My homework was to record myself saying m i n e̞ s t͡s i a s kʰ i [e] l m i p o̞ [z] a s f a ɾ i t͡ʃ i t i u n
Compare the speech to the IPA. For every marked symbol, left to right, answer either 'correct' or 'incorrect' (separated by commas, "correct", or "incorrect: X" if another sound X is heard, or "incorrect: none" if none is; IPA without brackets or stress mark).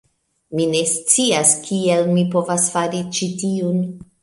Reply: correct, incorrect: v